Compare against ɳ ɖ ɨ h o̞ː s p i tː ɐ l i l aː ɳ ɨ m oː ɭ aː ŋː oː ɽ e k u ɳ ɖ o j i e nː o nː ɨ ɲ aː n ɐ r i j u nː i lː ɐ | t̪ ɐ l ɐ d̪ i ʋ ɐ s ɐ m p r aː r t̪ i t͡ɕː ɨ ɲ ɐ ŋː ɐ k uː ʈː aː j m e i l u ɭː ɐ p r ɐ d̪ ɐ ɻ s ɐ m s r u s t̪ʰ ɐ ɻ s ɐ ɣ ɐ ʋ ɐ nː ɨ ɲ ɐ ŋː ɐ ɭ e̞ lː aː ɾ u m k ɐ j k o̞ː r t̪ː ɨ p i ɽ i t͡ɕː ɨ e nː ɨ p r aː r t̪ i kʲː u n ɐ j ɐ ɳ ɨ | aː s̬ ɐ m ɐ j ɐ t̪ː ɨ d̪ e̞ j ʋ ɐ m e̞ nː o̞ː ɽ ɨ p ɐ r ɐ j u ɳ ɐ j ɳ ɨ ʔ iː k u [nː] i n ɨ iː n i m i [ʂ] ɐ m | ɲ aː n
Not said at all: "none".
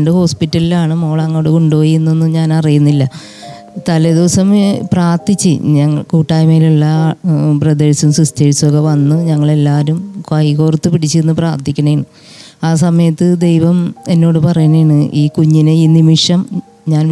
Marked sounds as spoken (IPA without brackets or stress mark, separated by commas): ɲː, ʂ